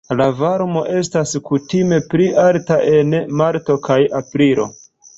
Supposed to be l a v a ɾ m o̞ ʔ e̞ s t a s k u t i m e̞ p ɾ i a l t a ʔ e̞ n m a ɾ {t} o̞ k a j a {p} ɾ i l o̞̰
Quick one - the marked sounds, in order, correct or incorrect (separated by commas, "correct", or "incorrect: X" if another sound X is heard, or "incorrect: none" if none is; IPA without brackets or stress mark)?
correct, correct